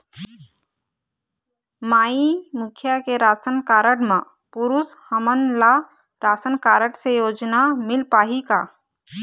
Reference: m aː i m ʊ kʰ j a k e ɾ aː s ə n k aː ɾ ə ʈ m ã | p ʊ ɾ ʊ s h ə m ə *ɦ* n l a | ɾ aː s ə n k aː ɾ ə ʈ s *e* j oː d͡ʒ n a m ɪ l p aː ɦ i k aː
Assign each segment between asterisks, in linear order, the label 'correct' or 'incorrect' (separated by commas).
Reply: incorrect, correct